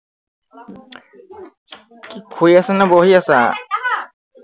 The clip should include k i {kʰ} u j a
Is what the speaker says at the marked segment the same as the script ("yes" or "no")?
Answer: yes